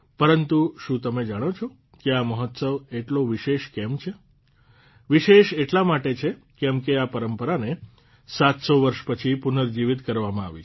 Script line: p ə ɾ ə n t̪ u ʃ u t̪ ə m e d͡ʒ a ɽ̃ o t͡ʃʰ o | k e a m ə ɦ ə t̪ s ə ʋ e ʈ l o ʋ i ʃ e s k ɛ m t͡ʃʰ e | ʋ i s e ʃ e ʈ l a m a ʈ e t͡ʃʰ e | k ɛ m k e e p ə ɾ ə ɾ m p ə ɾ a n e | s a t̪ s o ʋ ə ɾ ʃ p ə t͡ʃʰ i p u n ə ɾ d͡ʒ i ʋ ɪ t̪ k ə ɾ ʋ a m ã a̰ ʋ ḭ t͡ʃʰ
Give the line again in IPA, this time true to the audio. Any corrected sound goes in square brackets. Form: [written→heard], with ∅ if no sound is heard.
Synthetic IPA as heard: p ə ɾ ə n t̪ u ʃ [u→ũ] t̪ ə m e d͡ʒ a ɽ̃ o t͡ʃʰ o | k e a m ə ɦ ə t̪ s ə ʋ e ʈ l o ʋ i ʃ e [s→ʃ] k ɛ m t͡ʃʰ e | ʋ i [s→ʃ] e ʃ e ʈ l a m a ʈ e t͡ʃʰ e | k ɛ m k e [e→a] p ə ɾ ə [ɾ→∅] m p ə ɾ a n e | s a t̪ s o ʋ ə ɾ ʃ p ə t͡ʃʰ i p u n ə ɾ d͡ʒ i ʋ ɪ t̪ k ə ɾ ʋ a m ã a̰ ʋ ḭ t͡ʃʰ